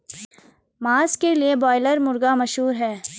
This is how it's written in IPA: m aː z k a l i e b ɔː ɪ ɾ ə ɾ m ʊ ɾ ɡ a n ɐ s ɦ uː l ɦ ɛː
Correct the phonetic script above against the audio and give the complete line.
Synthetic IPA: m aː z k e l i e b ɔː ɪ l ə ɾ m ʊ ɾ ɡ a m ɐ ʃ ɦ uː ɾ ɦ ɛː